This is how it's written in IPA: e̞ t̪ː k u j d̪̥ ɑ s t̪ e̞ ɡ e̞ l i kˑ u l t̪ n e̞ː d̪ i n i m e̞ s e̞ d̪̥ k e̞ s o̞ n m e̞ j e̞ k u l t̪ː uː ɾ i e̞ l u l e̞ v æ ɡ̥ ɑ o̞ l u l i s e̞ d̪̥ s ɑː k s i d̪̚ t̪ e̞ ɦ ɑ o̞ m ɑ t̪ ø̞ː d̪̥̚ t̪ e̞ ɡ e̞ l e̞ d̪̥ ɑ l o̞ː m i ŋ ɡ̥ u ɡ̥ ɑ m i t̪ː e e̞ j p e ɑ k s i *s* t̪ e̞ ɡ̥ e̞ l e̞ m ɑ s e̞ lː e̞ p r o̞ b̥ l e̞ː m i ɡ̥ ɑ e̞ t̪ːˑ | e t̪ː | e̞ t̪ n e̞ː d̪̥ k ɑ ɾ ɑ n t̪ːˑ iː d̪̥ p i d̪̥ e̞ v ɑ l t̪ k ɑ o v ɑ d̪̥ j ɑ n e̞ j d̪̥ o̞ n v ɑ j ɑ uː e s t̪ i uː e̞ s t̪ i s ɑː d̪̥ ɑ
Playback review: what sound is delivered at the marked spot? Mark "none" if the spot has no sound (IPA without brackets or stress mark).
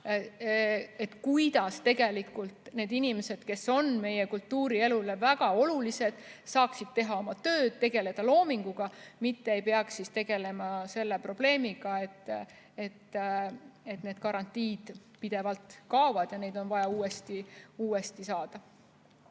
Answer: s